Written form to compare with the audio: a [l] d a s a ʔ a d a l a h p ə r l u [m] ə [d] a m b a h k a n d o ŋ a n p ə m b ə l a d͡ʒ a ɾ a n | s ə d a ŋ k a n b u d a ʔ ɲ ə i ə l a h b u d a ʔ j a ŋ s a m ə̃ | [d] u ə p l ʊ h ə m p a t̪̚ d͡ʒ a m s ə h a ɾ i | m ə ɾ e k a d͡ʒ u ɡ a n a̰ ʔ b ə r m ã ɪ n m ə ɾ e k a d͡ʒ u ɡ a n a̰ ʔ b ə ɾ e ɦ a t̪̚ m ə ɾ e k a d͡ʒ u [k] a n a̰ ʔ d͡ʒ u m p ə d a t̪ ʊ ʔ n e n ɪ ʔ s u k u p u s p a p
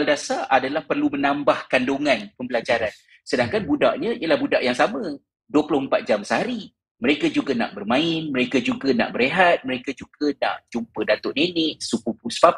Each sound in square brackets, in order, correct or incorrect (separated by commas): correct, correct, incorrect, correct, incorrect